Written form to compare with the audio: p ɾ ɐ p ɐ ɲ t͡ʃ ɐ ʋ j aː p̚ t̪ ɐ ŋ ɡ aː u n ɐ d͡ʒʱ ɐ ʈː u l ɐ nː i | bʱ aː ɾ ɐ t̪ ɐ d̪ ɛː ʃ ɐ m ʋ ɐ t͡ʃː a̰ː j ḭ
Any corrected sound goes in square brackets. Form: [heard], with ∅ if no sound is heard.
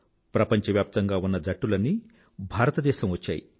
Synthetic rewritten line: p ɾ ɐ p ɐ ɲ t͡ʃ ɐ ʋ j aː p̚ t̪ ɐ ŋ ɡ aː u [nː] ɐ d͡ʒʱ ɐ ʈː u l ɐ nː i | bʱ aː ɾ ɐ t̪ ɐ d̪ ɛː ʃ ɐ m ʋ ɐ t͡ʃː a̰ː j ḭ